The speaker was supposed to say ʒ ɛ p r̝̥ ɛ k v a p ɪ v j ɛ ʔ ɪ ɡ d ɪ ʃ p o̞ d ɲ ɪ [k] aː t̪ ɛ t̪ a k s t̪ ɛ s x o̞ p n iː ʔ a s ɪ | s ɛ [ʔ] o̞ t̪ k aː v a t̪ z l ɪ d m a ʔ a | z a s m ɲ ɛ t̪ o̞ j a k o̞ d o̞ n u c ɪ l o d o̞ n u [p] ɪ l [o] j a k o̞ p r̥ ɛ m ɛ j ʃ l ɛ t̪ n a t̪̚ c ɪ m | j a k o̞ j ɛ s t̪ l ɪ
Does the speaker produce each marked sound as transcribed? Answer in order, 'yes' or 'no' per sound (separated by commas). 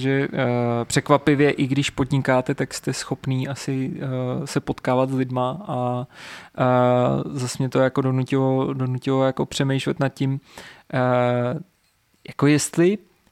yes, no, no, yes